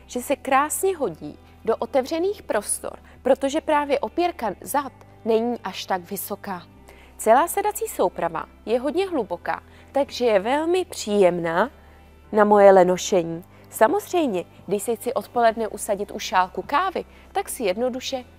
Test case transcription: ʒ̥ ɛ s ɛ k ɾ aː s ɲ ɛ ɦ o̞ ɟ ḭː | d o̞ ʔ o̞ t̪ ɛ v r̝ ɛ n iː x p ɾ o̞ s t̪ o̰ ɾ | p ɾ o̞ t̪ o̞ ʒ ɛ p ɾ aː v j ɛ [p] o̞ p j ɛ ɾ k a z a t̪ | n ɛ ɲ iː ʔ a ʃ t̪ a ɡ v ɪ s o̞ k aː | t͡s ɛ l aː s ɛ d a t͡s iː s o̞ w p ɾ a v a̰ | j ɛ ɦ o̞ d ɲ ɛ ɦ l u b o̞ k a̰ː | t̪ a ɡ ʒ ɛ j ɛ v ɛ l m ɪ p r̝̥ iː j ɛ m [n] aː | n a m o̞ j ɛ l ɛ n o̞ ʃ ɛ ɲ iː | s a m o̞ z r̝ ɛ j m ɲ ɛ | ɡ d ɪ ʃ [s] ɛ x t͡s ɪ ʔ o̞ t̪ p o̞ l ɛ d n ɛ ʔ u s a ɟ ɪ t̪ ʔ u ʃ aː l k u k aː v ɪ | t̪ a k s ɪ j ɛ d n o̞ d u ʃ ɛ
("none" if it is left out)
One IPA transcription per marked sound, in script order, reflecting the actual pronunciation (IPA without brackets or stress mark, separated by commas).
ʔ, n, s